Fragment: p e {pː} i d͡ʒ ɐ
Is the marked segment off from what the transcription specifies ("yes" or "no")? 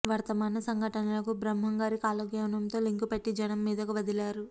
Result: yes